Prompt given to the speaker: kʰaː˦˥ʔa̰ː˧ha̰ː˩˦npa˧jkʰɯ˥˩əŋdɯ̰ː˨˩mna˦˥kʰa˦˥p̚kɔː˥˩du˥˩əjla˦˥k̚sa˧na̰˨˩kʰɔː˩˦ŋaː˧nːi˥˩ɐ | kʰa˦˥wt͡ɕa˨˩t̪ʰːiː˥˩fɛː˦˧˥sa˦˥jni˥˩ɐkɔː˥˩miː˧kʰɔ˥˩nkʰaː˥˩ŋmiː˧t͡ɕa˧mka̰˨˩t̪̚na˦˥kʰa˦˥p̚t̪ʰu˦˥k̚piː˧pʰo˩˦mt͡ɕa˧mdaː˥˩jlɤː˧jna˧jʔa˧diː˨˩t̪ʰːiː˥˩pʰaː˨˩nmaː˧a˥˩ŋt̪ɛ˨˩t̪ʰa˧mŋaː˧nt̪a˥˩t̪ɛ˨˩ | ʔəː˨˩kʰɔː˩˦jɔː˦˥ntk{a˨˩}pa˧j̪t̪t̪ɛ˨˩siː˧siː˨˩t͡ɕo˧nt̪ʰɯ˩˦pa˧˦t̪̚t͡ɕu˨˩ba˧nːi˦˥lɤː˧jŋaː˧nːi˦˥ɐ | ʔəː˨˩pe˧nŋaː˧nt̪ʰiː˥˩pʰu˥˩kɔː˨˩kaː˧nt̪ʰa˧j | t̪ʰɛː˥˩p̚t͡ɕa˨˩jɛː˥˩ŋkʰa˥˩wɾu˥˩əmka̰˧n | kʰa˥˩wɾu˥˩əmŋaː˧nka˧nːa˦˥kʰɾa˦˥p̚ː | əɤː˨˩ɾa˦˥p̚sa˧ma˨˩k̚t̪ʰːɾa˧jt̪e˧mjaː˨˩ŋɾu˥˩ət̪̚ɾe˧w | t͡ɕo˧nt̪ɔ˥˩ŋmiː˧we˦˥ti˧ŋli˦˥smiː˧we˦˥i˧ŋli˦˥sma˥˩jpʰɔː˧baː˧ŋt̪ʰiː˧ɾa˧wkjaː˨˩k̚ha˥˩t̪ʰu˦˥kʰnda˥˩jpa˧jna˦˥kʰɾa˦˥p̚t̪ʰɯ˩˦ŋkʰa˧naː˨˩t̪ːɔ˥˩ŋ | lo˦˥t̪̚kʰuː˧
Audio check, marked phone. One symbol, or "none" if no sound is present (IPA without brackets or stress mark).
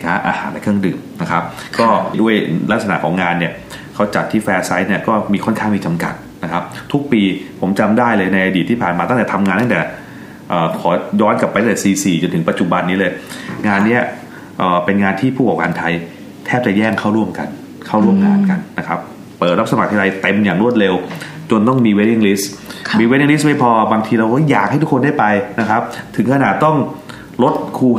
a˨˩